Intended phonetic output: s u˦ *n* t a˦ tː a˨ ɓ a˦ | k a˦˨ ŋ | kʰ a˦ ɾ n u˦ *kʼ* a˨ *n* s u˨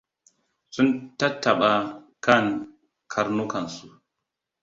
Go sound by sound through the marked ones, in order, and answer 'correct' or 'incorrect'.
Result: correct, incorrect: k, correct

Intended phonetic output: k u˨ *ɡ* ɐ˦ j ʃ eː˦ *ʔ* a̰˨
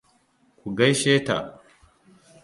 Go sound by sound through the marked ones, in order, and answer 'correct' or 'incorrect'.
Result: correct, incorrect: t

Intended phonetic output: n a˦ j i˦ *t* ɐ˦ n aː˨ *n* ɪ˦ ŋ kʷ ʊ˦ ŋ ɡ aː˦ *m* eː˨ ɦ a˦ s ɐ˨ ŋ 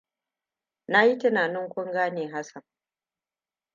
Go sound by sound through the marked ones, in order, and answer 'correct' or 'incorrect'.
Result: correct, correct, incorrect: n

